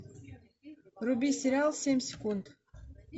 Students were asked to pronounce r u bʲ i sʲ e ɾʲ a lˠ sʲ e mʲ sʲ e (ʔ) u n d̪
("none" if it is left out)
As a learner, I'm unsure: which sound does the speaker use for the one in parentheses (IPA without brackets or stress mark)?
k